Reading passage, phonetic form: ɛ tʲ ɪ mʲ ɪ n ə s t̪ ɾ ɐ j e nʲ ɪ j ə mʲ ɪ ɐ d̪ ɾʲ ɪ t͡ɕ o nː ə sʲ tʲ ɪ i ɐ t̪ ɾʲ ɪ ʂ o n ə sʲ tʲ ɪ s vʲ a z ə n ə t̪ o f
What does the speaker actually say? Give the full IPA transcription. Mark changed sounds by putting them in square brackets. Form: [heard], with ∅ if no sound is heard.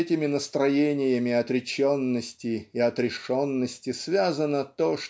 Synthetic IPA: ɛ tʲ ɪ mʲ ɪ n ə s t̪ ɾ ɐ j e nʲ ɪ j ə mʲ ɪ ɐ [t̪] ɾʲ ɪ t͡ɕ o nː ə sʲ tʲ ɪ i ɐ t̪ ɾʲ ɪ ʂ o [nː] ə sʲ tʲ ɪ s vʲ a z ə n ə t̪ o [ʂ]